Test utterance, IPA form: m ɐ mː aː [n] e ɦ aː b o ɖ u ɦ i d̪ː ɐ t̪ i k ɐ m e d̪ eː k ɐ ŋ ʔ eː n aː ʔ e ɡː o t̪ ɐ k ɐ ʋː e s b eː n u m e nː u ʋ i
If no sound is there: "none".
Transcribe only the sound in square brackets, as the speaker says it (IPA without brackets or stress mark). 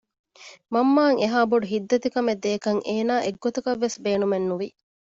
ŋ